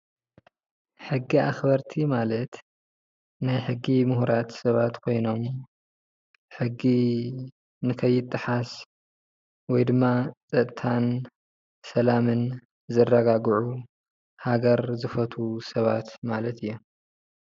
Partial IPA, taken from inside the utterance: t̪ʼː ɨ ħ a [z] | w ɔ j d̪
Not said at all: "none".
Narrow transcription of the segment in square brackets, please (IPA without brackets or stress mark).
s